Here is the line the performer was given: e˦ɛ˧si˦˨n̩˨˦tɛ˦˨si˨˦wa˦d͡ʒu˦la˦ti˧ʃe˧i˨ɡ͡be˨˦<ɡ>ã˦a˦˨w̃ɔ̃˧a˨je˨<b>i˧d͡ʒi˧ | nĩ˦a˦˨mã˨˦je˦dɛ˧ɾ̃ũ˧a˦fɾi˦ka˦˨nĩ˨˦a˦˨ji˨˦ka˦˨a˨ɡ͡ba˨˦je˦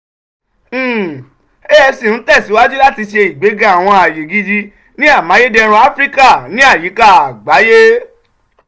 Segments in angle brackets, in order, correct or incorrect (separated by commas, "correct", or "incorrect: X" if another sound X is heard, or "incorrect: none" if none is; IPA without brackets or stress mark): correct, incorrect: ɡ